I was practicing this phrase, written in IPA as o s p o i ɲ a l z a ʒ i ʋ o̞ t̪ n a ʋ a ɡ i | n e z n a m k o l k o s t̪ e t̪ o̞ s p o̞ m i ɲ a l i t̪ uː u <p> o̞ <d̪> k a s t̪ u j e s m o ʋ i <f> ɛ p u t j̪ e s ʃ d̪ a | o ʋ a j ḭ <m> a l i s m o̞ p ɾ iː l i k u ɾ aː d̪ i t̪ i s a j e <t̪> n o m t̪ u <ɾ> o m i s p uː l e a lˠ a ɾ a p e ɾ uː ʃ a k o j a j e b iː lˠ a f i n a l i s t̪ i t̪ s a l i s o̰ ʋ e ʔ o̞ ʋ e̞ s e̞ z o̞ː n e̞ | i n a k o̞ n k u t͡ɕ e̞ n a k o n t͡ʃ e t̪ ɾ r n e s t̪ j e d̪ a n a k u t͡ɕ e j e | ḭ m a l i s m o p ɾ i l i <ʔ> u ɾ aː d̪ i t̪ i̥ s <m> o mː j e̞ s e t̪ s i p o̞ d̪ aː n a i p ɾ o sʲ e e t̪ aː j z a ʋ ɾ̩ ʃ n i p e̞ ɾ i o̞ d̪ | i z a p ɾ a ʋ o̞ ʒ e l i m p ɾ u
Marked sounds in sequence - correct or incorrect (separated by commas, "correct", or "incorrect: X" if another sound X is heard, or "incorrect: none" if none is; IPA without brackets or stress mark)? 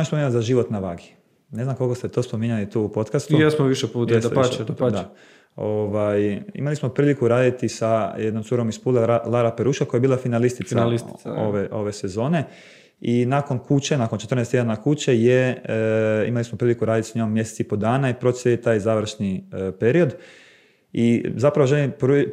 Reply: correct, incorrect: t̪, incorrect: ʃ, correct, incorrect: d̪, correct, incorrect: k, incorrect: ɲ